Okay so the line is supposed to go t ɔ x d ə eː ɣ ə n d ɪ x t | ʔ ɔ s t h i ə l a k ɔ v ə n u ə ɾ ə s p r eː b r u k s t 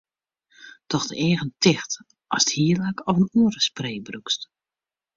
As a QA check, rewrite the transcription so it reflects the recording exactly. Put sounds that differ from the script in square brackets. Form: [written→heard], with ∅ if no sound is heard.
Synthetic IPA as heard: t ɔ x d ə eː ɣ ə n [d→t] ɪ x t | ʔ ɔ s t h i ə l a k ɔ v ə n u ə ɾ ə s p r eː b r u k s t

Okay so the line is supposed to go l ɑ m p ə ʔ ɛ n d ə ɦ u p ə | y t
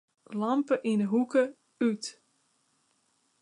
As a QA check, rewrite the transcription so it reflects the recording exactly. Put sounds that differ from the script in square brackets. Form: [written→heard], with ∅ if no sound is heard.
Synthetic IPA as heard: l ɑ m p ə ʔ [ɛ→i] n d ə ɦ u [p→k] ə | y t

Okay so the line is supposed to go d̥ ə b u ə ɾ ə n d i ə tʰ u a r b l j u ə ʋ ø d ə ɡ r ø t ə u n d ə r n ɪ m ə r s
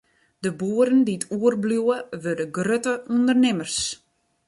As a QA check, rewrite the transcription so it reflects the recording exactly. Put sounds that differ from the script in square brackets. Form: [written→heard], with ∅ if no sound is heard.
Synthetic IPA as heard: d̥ ə b u ə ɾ ə n d i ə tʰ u [a→ə] r b l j u ə ʋ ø d ə ɡ r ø t ə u n d ə r n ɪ m ə r s

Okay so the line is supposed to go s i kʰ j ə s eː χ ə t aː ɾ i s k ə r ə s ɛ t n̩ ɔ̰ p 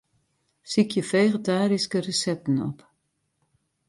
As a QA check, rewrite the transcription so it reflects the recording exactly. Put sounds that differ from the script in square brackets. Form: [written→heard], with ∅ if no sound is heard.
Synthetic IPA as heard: s i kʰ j ə [s→f] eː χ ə t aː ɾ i s k ə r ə s ɛ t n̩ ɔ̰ p

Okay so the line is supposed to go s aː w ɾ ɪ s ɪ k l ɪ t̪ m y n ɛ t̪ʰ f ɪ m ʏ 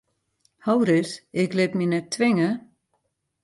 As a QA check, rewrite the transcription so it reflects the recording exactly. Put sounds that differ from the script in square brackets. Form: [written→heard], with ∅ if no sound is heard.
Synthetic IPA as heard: [s→h] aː w ɾ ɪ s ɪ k l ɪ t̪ m [y→i] n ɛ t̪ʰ [f→v] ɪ [m→ŋ] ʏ

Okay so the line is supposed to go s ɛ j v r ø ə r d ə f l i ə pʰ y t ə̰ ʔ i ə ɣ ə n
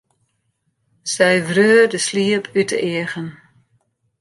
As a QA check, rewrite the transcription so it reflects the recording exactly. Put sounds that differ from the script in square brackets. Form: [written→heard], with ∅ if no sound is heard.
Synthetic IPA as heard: s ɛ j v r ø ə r d ə [f→s] l i ə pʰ y t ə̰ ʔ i ə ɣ ə n

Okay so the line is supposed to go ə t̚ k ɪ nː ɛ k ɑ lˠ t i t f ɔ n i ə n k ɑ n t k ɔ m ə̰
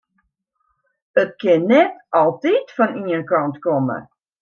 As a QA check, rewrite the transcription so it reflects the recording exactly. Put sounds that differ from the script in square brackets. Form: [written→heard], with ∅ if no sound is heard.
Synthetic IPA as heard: ə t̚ k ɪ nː ɛ [k→t] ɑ lˠ t i t f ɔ n i ə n k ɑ n t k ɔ m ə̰

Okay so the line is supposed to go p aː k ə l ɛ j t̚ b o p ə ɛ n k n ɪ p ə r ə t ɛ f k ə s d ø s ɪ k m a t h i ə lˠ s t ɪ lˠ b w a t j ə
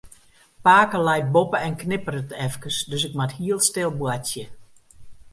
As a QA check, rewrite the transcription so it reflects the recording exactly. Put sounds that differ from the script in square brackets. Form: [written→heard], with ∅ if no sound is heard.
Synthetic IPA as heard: p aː k ə l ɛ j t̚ b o p ə ɛ n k n ɪ p ə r ə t ɛ f k ə s d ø s ɪ k m a t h i ə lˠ s t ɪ lˠ b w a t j ə

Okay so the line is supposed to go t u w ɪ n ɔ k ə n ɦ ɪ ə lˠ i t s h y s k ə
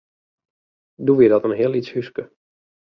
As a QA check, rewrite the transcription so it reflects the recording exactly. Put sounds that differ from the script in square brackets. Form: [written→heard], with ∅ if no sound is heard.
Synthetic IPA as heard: [t→d] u [w→ʋ] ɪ [n→d] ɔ [k→t] ə n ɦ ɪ ə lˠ i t s h y s k ə

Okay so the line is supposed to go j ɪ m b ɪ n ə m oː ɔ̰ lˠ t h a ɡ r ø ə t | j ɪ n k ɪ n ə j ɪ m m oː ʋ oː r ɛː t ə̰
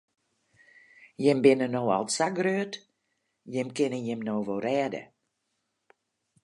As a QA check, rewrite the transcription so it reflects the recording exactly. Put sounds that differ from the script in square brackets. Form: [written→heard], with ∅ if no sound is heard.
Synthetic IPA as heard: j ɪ m b ɪ n ə [m→n] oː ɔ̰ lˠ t [h→s] a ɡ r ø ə t | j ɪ [n→m] k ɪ n ə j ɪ m [m→n] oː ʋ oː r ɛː [t→d] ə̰

